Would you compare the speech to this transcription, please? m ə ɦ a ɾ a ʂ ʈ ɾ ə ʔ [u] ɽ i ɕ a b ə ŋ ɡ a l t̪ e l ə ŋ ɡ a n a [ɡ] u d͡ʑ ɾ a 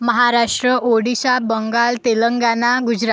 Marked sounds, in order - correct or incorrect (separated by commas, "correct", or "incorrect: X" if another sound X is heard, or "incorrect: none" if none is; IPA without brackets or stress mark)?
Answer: incorrect: o, correct